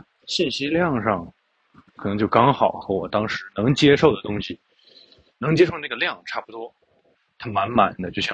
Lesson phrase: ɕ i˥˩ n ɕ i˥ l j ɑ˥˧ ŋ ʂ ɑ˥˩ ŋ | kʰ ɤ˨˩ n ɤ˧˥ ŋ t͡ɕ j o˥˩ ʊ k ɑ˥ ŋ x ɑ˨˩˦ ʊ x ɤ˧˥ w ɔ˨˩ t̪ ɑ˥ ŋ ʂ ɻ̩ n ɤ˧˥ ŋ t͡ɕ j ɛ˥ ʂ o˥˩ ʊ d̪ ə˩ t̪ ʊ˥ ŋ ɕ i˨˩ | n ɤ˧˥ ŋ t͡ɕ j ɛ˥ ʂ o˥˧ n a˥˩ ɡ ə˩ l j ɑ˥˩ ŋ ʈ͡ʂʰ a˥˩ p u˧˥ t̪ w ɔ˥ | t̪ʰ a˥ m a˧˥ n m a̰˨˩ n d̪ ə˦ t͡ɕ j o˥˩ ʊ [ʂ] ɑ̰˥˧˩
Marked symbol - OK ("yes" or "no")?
no